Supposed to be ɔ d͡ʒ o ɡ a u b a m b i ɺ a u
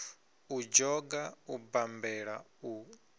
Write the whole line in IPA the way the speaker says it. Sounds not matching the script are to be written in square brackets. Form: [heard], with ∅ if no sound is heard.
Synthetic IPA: [u] d͡ʒ [ɔ] ɡ a u b a m b [ɛ] ɺ a u